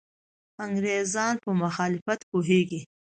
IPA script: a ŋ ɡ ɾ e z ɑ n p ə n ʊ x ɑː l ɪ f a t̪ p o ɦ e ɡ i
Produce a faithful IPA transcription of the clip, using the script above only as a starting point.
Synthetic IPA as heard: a ŋ ɡ ɾ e z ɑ n p ə m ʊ x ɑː l ɪ f a t̪ p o ɦ e ɡ i